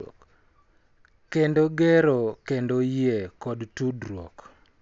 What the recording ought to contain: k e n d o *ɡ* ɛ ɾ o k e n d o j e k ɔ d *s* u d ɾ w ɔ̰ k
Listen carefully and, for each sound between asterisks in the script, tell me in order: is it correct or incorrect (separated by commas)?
correct, incorrect